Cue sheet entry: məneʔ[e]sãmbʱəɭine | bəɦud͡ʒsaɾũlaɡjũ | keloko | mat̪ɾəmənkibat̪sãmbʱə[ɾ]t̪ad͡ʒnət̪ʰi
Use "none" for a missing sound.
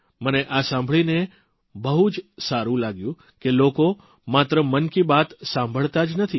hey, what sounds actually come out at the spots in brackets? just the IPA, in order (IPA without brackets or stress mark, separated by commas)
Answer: a, ɭ